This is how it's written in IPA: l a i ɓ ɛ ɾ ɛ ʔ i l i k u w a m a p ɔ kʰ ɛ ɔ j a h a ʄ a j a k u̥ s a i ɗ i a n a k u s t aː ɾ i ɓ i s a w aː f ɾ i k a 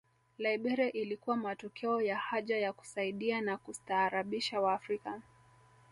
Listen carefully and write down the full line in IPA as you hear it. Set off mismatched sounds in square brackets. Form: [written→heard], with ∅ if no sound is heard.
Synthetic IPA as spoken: l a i ɓ ɛ ɾ ɛ ʔ i l i k u w a m a [p→t] ɔ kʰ ɛ ɔ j a h a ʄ a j a k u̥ s a i ɗ i a n a k u s t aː ɾ [i→a] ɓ i [s→ʃ] a w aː f ɾ i k a